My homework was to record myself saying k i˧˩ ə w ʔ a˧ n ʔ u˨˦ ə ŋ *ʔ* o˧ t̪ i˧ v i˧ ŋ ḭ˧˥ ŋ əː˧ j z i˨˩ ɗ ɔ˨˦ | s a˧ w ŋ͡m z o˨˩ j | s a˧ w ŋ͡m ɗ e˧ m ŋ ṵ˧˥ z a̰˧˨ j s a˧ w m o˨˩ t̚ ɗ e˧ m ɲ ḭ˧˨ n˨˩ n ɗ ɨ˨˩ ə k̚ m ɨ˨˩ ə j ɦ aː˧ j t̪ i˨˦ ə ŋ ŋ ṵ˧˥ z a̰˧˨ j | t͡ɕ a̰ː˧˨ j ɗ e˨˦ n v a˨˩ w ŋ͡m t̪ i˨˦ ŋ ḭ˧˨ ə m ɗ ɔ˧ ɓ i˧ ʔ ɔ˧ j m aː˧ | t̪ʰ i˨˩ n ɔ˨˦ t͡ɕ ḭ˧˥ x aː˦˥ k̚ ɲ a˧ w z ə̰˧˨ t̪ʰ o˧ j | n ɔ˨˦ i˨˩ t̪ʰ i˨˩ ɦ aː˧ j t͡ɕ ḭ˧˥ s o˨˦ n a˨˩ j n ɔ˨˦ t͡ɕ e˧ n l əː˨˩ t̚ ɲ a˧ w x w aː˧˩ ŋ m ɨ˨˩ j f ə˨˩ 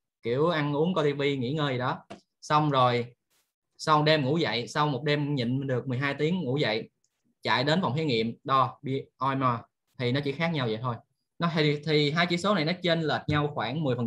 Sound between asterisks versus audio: incorrect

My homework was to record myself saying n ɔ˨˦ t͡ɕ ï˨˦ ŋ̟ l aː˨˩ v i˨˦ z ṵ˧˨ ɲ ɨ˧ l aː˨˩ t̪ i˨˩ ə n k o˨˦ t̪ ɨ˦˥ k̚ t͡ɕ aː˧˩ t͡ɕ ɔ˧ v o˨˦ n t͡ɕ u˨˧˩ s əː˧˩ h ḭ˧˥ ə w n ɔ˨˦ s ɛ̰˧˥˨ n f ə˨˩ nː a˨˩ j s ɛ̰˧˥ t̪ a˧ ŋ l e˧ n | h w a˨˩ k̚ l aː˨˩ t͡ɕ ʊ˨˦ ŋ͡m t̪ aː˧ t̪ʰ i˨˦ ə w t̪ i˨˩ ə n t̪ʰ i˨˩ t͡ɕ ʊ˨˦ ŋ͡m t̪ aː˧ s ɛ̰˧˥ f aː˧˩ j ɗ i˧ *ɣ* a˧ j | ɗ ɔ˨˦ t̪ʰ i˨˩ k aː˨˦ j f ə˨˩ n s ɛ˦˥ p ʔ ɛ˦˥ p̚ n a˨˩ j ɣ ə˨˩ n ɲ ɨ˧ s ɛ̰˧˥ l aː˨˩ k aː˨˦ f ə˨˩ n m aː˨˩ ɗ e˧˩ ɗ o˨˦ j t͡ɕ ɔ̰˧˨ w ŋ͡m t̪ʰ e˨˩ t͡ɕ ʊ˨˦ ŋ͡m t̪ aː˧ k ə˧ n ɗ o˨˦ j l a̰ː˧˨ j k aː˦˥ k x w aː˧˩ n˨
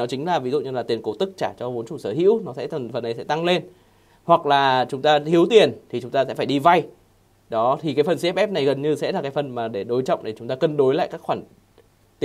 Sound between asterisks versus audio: incorrect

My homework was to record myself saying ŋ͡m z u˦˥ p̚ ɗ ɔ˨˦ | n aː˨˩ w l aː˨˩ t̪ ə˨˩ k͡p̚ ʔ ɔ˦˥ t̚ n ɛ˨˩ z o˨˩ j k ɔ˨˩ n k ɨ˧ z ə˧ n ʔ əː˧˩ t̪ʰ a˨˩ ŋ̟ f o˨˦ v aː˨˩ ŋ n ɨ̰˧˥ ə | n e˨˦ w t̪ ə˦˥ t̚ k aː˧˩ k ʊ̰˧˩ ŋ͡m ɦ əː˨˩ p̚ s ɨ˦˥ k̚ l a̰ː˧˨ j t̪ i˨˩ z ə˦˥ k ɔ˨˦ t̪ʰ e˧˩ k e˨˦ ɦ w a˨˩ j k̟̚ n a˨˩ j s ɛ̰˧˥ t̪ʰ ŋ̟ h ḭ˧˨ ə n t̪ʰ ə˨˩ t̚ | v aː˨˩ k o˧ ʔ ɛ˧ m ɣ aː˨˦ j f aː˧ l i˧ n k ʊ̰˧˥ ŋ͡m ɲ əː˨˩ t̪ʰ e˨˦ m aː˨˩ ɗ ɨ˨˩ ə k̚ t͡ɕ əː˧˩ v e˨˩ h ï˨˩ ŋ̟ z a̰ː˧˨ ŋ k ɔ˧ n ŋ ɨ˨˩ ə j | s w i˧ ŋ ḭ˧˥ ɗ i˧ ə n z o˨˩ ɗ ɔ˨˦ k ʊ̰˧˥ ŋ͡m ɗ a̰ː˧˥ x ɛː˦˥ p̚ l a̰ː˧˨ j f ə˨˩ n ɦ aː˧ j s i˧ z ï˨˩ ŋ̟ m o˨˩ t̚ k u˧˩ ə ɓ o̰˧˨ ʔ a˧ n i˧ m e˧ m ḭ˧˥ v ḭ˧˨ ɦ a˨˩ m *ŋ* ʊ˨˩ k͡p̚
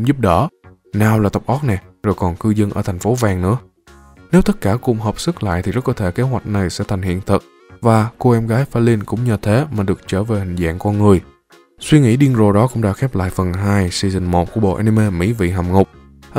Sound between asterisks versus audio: correct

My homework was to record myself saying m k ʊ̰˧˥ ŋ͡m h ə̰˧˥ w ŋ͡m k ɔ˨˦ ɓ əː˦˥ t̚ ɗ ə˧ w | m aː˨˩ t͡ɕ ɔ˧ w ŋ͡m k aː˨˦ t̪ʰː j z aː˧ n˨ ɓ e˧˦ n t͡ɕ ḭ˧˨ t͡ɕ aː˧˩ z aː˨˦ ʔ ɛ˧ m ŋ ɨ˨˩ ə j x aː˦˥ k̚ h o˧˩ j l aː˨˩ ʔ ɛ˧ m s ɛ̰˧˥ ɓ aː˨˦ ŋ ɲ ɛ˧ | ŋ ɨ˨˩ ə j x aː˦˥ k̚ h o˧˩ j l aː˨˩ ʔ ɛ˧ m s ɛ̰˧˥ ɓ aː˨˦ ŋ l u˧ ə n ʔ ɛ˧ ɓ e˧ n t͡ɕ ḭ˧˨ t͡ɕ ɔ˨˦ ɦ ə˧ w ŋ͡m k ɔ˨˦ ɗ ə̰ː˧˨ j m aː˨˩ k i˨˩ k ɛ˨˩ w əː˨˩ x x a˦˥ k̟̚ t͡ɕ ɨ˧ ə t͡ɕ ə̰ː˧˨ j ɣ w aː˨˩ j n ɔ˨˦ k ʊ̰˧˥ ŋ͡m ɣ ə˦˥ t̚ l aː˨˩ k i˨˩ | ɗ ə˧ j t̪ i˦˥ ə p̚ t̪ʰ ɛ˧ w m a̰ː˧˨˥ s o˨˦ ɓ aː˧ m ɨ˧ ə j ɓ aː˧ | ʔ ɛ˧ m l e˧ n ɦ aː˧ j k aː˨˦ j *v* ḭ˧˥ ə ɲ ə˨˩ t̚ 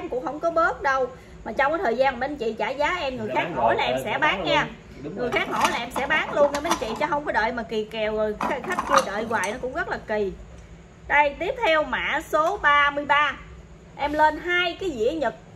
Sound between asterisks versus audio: incorrect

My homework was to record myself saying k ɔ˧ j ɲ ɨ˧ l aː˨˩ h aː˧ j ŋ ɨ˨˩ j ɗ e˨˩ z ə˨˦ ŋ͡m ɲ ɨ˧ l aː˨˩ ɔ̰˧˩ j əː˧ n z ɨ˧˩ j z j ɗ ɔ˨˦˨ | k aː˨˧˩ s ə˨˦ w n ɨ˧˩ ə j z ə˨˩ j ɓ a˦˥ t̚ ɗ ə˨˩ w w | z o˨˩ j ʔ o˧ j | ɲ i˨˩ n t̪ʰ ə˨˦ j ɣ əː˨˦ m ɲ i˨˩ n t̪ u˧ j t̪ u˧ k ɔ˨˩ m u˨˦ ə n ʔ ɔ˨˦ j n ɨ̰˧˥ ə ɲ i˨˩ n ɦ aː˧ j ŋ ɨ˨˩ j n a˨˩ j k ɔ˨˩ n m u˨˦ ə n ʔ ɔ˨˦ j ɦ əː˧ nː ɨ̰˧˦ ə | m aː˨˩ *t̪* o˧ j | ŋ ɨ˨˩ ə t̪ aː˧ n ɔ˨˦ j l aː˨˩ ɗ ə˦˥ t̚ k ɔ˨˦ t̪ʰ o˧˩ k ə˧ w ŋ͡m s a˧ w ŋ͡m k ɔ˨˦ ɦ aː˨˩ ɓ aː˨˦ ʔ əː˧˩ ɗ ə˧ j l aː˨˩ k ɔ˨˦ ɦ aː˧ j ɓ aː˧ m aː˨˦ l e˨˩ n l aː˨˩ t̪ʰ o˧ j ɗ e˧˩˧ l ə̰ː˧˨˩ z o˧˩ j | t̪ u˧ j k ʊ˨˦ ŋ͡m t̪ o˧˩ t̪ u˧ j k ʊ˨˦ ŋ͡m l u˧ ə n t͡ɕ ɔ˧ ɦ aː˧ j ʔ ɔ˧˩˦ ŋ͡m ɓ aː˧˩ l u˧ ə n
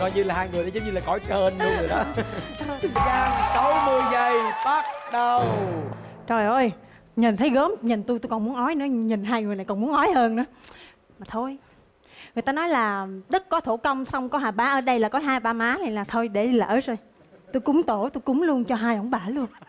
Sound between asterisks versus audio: incorrect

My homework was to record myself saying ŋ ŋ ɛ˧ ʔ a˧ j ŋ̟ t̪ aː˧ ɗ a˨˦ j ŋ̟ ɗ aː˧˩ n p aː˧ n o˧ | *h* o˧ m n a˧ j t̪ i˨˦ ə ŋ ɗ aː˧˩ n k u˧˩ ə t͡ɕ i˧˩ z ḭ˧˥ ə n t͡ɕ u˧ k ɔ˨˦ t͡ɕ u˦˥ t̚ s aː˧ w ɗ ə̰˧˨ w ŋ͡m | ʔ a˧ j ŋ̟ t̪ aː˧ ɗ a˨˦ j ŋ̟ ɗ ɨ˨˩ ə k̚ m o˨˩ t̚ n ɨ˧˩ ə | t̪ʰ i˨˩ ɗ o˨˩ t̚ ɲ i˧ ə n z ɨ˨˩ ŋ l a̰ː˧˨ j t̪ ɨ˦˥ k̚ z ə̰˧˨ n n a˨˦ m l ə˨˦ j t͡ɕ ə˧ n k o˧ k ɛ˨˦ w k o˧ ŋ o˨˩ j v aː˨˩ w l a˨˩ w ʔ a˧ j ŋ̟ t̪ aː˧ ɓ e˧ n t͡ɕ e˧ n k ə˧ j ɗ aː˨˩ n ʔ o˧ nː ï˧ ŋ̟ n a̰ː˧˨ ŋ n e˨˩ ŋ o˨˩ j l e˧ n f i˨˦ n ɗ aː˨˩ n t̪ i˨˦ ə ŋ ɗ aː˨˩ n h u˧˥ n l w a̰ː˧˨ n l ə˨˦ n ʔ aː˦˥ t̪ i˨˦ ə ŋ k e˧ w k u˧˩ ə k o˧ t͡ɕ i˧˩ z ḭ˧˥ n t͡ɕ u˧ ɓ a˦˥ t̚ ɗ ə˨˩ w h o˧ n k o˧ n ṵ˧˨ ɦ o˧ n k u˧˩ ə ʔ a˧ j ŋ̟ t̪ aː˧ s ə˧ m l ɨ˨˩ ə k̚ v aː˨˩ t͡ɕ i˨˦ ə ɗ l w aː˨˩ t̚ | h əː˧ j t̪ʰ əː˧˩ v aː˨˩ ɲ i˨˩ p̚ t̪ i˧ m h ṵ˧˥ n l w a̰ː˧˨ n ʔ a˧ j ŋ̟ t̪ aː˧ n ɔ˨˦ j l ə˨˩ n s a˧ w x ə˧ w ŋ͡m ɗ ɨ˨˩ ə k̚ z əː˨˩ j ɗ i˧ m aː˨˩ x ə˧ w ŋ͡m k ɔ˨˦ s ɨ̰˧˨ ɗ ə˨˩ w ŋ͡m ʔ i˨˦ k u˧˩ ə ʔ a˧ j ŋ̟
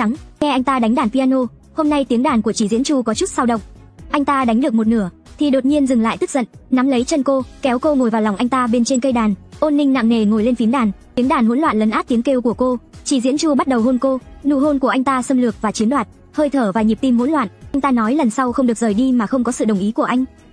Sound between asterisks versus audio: correct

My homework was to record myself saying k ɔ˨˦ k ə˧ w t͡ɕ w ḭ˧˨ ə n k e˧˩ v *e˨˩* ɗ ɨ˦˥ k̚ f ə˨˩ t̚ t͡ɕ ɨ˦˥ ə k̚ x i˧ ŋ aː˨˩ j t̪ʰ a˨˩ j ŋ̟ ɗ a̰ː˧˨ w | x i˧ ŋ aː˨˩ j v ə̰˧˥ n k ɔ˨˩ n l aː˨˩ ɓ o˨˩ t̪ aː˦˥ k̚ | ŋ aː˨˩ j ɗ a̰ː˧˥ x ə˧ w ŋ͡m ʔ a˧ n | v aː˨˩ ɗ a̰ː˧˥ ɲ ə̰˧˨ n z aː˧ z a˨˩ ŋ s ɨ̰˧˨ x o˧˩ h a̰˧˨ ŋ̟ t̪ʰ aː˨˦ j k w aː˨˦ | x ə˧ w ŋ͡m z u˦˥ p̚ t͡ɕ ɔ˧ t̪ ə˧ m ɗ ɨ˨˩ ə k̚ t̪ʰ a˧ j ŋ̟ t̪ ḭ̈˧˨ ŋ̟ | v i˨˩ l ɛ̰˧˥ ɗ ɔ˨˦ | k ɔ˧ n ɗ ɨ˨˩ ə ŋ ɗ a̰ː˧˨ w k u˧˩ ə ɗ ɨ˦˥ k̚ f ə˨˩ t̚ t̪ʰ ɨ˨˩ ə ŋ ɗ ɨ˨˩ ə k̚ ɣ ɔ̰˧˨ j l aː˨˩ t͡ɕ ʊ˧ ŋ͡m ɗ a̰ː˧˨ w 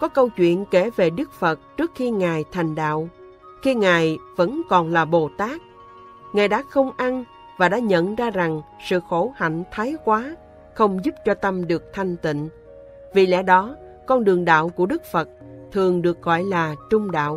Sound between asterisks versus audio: correct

